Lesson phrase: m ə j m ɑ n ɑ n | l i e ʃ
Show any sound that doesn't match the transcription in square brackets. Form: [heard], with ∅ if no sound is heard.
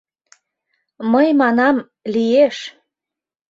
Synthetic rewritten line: m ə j m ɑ n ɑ [m] | l i e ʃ